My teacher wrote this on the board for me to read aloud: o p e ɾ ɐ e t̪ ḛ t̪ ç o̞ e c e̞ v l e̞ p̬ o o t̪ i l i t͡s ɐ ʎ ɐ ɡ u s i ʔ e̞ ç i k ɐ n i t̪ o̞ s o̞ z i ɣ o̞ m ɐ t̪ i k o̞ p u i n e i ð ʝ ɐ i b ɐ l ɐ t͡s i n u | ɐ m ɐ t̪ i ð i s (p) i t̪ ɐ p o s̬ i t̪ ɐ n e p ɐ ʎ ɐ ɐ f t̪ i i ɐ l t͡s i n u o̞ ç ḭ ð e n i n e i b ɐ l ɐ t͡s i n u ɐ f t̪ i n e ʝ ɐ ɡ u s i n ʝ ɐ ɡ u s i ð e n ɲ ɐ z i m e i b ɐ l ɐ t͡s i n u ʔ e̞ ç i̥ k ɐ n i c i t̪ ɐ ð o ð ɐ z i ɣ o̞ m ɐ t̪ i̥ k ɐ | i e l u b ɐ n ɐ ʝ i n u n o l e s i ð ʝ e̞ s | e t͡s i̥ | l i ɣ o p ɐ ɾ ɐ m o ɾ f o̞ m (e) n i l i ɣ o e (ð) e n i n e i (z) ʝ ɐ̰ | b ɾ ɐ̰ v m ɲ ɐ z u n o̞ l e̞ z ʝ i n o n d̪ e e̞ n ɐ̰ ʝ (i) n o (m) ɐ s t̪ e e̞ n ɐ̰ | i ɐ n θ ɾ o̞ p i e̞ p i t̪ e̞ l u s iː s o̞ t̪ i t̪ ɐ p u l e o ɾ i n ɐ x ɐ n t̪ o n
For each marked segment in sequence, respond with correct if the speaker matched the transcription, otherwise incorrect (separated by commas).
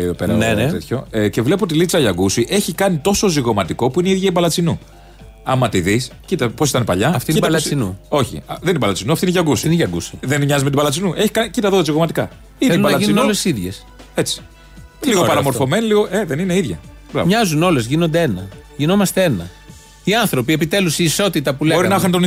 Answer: incorrect, correct, correct, incorrect, correct, correct